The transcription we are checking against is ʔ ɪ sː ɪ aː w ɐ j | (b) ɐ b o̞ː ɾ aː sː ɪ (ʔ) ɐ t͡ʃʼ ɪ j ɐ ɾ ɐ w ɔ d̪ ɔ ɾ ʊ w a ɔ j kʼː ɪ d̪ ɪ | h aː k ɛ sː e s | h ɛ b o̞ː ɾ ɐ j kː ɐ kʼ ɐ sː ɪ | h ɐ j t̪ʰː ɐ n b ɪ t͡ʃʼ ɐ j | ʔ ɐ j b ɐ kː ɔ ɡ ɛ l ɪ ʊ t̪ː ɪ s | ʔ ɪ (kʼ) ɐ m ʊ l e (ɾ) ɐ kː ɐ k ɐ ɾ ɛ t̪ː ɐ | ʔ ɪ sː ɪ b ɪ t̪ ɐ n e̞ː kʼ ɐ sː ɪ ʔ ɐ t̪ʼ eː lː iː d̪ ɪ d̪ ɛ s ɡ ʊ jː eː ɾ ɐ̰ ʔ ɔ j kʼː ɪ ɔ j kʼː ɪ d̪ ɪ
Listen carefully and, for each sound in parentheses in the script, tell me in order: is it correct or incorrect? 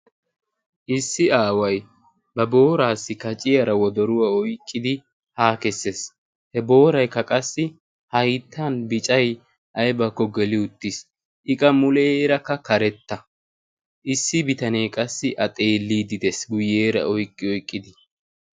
correct, incorrect: k, correct, correct

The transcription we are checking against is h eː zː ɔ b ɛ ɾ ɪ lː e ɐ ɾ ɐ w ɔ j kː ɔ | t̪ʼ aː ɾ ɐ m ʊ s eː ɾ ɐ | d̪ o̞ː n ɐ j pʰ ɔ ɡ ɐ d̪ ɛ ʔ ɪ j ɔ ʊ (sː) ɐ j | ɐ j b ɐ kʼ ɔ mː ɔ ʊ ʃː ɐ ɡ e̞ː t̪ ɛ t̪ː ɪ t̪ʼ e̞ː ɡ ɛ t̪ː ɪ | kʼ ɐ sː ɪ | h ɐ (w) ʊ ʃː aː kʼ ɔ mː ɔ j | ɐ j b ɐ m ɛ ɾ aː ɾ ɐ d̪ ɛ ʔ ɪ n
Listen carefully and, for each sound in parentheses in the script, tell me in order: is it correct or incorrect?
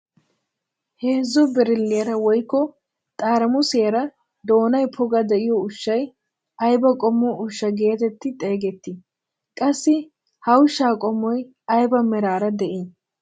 incorrect: ʃː, correct

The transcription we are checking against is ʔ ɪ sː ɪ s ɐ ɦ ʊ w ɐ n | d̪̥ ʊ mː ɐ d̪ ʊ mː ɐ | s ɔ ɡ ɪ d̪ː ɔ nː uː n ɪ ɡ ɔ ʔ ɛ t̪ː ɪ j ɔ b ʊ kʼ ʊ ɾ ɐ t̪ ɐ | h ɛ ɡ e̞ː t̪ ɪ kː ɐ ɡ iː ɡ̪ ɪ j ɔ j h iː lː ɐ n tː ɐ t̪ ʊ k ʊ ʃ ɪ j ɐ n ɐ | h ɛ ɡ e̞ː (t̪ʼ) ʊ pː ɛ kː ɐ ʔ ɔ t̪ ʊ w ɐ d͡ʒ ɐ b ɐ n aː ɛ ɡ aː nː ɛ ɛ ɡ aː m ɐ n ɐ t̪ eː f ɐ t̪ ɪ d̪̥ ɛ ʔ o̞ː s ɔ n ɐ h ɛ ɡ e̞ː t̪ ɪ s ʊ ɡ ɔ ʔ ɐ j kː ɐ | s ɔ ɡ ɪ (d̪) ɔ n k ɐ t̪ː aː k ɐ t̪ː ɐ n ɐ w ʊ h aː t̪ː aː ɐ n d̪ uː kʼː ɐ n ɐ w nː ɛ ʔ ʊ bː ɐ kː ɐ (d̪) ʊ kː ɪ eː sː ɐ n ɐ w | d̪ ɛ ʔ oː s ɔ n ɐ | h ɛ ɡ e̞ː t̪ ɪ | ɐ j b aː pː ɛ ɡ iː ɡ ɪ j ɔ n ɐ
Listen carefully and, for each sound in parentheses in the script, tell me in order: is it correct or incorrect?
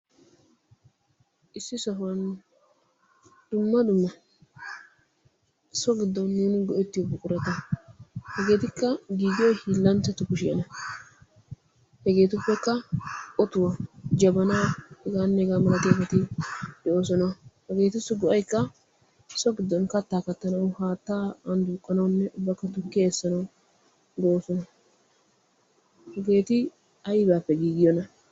incorrect: t̪, incorrect: d̪ː, incorrect: t̪

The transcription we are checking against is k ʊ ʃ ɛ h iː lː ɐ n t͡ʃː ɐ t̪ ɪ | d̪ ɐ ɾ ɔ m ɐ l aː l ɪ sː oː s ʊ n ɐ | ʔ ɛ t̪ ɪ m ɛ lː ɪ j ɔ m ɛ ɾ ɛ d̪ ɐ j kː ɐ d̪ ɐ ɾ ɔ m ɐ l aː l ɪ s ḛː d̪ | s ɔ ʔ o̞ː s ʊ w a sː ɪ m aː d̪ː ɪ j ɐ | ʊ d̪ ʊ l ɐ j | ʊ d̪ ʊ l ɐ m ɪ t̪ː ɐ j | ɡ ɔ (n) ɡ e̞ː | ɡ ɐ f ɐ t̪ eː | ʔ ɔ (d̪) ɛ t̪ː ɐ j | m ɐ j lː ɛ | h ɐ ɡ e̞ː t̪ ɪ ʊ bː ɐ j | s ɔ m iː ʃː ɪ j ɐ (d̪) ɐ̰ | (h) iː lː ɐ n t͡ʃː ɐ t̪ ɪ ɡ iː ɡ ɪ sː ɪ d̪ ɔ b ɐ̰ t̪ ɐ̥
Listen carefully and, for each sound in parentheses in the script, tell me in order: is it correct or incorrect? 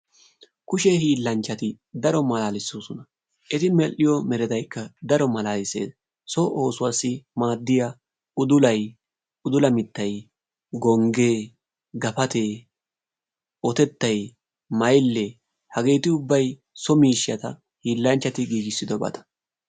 incorrect: ŋ, incorrect: t̪, incorrect: t̪, correct

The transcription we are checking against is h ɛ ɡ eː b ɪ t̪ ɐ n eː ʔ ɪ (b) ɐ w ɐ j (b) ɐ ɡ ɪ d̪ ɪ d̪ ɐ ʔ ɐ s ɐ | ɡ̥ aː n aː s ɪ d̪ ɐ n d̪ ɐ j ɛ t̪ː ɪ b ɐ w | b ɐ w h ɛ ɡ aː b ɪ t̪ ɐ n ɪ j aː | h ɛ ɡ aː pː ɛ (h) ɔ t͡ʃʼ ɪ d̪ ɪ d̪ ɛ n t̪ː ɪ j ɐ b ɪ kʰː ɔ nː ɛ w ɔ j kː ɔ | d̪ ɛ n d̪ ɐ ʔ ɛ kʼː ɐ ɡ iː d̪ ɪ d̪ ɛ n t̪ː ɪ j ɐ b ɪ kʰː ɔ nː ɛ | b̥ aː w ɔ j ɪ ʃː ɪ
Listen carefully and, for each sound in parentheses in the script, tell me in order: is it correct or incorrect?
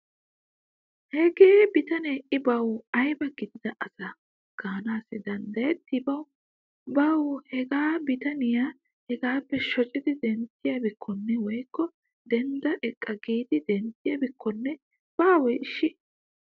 correct, correct, incorrect: ʃ

